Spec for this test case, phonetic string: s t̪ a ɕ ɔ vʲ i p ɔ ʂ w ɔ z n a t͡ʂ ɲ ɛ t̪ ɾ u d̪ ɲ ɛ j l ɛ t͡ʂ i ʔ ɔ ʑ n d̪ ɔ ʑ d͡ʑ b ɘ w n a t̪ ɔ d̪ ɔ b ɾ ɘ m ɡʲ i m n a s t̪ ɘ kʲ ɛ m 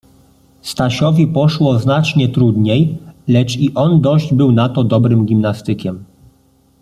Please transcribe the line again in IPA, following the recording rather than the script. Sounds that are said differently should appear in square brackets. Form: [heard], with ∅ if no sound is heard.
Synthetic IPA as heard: s t̪ a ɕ ɔ vʲ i p ɔ ʂ w ɔ z n a t͡ʂ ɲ ɛ t̪ ɾ u d̪ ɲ [e] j l ɛ t͡ʂ i ʔ ɔ [∅] n d̪ ɔ ʑ d͡ʑ b ɘ w n a t̪ ɔ d̪ ɔ b ɾ ɘ m ɡʲ i m n a s t̪ ɘ kʲ ɛ m